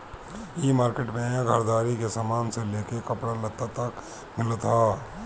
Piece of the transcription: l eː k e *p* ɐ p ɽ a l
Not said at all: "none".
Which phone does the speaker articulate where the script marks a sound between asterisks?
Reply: k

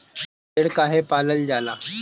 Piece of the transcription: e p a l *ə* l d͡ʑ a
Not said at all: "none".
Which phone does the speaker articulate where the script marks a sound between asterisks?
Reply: ə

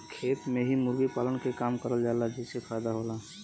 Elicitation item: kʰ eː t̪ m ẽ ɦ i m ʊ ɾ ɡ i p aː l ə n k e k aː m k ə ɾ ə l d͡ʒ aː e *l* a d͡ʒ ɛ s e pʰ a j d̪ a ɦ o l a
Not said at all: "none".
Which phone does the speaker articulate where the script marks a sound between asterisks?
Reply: l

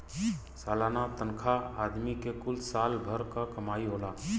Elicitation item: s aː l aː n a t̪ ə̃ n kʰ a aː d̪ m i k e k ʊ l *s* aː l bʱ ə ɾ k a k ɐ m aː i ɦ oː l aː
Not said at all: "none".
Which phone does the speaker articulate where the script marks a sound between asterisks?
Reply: s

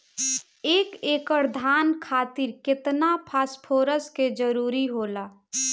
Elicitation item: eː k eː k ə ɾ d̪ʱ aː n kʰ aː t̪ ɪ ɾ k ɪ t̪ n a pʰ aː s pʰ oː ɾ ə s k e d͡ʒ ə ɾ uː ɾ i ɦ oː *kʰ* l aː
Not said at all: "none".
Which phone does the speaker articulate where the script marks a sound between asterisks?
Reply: none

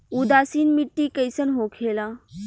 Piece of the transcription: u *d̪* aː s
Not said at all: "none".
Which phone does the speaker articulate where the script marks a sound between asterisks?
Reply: d̪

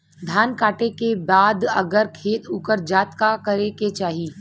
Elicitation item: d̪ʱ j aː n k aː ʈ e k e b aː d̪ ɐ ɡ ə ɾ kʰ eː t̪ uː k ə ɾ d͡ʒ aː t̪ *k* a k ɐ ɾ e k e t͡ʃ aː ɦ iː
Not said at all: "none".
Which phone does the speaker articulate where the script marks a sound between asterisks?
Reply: k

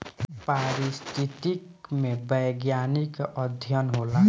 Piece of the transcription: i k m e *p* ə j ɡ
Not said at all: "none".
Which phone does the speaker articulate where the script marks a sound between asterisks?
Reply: b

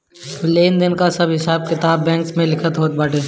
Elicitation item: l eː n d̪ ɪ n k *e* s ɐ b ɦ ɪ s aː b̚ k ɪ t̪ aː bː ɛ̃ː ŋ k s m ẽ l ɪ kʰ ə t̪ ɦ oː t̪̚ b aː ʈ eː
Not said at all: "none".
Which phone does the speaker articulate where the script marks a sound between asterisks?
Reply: a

